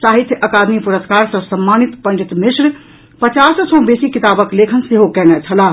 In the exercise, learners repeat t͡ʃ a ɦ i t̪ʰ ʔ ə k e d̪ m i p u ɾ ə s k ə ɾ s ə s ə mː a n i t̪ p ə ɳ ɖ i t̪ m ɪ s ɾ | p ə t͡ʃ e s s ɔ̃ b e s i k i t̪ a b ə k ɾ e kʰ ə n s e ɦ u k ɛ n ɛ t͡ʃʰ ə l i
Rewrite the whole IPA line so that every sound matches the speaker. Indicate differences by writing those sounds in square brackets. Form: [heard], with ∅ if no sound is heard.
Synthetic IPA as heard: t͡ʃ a ɦ i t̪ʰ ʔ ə k [a] d̪ m i p u ɾ ə s k [a] ɾ s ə s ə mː a n i t̪ p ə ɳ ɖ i t̪ m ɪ s ɾ | p ə t͡ʃ [a] s s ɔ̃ b e s i k i t̪ a b ə k [l] e kʰ ə n s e ɦ [o] k ɛ n ɛ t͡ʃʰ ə l [a]